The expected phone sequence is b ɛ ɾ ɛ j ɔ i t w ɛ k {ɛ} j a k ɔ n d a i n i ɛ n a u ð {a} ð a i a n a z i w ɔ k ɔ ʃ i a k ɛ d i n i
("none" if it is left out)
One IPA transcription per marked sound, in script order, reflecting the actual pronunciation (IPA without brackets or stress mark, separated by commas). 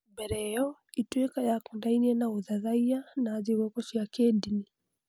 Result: a, a